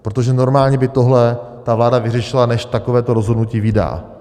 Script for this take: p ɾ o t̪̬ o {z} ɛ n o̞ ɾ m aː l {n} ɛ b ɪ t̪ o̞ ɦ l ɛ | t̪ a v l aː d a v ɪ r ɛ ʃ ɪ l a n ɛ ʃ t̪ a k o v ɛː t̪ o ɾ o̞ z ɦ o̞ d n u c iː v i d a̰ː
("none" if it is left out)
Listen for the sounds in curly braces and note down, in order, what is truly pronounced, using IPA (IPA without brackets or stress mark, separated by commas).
ʒ, ɲ